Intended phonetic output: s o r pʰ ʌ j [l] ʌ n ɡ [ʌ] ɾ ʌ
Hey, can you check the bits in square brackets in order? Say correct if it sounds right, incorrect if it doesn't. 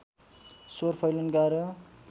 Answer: correct, incorrect: a

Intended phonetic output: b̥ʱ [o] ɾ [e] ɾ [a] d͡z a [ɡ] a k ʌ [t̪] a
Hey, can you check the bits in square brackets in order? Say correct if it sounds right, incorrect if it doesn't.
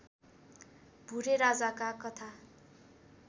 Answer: incorrect: u, correct, correct, incorrect: k, incorrect: t̪ʰ

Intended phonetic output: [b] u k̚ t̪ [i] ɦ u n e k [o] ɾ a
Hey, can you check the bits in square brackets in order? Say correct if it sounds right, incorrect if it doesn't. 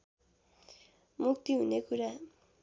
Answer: incorrect: m, correct, incorrect: u

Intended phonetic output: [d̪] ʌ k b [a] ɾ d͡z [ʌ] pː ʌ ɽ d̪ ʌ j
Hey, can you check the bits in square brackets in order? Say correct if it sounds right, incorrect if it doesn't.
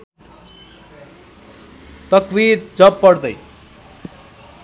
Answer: incorrect: t̪, incorrect: i, correct

